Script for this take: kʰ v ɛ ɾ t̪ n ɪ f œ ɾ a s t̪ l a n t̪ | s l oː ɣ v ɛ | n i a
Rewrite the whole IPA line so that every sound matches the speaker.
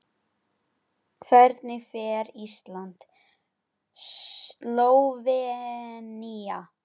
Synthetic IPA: kʰ v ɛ ɾ t̪ n ɪ f ɛ ɾ i s t̪ l a n t̪ | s l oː w v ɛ | n i a